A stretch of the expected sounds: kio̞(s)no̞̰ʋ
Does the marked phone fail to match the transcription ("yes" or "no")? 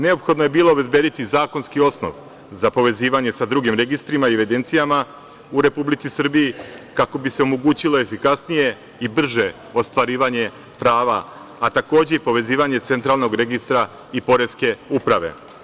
no